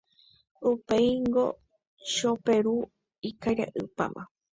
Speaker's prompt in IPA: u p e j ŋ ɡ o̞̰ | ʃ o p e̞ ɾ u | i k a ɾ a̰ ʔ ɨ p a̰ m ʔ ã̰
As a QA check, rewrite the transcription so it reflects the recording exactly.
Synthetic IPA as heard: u p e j ŋ ɡ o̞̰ | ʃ o p e̞ ɾ u | i k a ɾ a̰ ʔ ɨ p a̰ m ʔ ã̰